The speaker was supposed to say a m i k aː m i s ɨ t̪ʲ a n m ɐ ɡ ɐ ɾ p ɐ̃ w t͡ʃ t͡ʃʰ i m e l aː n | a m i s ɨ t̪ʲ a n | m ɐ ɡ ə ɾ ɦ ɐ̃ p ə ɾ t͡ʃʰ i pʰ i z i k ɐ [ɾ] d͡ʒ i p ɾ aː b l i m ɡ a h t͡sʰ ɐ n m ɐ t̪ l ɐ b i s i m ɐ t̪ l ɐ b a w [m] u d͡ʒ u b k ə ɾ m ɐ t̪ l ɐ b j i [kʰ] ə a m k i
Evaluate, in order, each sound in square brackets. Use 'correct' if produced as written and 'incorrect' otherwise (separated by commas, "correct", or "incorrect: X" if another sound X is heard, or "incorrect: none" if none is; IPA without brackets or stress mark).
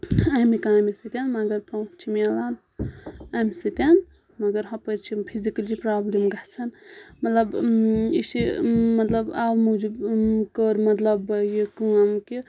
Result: incorrect: l, correct, incorrect: k